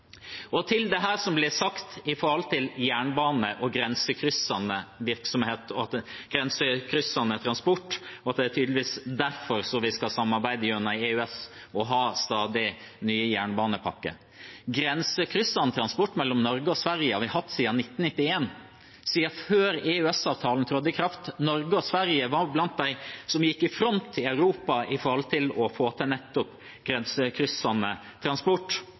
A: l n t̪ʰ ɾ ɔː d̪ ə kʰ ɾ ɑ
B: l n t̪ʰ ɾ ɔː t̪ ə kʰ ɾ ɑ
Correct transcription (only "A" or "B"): A